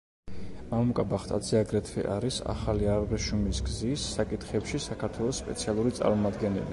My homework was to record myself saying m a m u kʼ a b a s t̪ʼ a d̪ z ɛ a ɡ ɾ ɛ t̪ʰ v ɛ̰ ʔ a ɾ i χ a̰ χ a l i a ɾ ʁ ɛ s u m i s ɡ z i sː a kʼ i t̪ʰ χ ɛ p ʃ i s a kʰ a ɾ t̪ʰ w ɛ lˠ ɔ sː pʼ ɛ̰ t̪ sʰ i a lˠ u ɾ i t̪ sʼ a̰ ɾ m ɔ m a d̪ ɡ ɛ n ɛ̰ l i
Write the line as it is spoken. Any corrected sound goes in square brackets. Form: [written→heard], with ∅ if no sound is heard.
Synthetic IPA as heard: m a m u kʼ a b a [s→χ] t̪ʼ a d̪ z ɛ a ɡ ɾ ɛ t̪ʰ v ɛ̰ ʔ a ɾ i [χ→s] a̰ χ a l i a ɾ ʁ ɛ [s→ʃ] u m i s ɡ z i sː a kʼ i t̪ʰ χ ɛ p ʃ i s a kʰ a ɾ t̪ʰ w ɛ lˠ ɔ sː pʼ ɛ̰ t̪ sʰ i a lˠ u ɾ i t̪ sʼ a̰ ɾ m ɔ m a d̪ ɡ ɛ n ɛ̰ l i